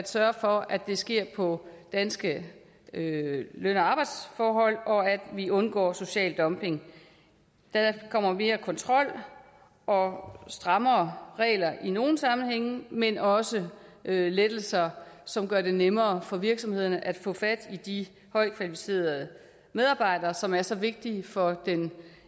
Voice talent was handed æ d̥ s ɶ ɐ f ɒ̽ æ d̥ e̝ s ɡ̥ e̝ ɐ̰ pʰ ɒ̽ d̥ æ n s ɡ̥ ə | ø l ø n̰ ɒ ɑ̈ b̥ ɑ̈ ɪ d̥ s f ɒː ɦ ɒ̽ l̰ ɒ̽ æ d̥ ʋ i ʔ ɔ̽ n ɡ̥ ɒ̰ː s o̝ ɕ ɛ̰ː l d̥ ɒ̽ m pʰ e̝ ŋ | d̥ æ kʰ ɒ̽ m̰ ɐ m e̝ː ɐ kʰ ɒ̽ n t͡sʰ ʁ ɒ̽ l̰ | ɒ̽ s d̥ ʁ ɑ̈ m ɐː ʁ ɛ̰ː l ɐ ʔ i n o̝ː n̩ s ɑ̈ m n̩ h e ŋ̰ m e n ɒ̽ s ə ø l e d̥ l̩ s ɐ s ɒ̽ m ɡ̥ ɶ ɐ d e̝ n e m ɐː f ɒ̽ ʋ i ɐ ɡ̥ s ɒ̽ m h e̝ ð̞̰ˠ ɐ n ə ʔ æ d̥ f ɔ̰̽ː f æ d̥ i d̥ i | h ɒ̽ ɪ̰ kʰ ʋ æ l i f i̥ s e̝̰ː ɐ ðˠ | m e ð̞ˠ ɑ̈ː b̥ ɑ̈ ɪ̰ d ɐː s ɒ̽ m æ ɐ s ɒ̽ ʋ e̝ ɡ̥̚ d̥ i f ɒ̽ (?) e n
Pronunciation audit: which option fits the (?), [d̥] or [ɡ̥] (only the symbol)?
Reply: d̥